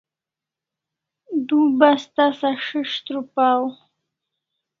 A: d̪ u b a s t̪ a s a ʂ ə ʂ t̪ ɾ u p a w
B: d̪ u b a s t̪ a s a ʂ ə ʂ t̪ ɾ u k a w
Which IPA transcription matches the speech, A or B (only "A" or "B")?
A